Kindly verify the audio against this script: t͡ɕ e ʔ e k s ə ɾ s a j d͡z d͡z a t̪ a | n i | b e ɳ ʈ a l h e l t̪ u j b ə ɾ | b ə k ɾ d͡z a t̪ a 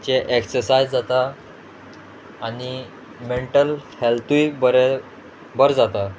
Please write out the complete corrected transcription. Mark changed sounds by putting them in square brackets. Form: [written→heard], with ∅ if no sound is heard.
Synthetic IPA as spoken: t͡ɕ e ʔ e k s ə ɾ s a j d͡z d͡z a t̪ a | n i | [b→m] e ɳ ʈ [a→ə] l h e l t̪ u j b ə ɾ | b ə [k→∅] ɾ d͡z a t̪ a